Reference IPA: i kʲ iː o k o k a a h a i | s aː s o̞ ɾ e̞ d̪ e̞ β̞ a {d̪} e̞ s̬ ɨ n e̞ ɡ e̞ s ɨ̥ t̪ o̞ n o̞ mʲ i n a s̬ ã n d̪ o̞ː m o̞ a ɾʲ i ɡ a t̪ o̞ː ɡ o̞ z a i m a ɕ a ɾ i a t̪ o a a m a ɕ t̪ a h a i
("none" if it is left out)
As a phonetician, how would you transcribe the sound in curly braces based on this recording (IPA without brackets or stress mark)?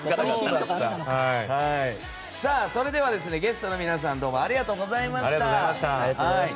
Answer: d̪